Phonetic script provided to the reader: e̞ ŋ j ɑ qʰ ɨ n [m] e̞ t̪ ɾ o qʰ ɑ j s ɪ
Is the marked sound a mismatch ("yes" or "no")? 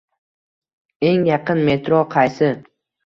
no